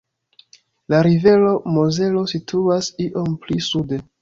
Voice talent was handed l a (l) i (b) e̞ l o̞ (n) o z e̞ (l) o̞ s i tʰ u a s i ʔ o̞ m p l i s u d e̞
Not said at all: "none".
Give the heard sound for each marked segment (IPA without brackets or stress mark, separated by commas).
ɾ, v, m, l